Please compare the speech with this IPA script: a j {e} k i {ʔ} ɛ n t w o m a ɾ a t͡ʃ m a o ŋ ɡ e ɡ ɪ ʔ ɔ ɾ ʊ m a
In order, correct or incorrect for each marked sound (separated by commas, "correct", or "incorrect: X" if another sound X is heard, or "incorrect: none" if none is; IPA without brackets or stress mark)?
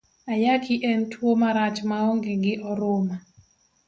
incorrect: a, correct